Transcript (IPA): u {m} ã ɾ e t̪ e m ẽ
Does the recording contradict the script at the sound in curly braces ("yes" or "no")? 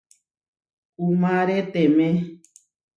no